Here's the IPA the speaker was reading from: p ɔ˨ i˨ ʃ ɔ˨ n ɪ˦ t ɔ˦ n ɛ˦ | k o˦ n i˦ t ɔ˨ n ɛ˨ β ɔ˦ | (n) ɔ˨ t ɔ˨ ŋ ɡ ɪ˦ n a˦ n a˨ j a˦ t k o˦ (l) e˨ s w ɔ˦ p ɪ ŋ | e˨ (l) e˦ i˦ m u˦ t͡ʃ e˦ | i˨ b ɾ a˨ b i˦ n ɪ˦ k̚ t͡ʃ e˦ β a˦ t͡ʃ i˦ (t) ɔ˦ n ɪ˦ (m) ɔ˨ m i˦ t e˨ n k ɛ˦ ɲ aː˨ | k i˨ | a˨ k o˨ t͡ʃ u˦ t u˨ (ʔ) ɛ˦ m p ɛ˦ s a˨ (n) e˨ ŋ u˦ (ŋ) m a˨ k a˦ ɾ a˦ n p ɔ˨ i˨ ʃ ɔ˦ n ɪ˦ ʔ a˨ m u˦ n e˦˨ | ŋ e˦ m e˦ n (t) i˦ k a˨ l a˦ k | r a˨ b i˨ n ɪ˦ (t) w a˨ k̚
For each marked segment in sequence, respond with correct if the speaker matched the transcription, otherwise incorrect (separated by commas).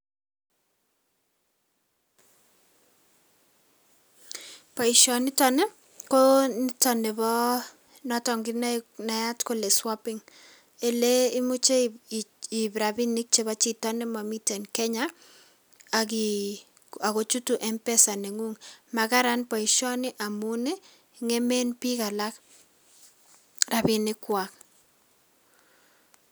correct, correct, correct, correct, correct, correct, correct, correct, incorrect, incorrect